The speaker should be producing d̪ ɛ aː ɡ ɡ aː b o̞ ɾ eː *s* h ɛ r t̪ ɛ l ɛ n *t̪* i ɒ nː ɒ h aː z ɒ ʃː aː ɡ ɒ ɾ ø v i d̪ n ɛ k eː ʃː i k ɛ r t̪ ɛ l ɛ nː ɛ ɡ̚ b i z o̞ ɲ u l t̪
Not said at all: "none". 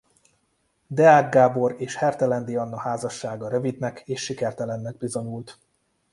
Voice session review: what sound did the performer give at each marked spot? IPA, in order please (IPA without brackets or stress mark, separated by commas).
ʃ, d̪